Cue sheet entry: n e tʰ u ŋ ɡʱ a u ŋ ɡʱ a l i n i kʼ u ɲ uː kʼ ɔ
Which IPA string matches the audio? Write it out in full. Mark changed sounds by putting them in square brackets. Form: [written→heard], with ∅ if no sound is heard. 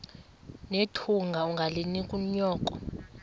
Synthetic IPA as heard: n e tʰ u ŋ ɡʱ a u ŋ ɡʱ a l i n i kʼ u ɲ [uː→ɔː] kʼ ɔ